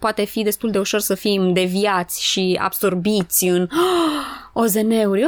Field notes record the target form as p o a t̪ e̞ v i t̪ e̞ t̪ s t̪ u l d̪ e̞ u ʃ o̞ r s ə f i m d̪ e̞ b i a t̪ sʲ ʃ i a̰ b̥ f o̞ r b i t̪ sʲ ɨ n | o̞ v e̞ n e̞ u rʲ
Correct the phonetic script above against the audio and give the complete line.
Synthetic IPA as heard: p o a t̪ e̞ f i d̪ e̞ s t̪ u l d̪ e̞ u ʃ o̞ r s ə f i m d̪ e̞ v i a t̪ sʲ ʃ i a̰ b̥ s o̞ r b i t̪ sʲ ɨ n | o̞ z e̞ n e̞ u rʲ